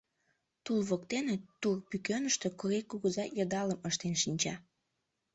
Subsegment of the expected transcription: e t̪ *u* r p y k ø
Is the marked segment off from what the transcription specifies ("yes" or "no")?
no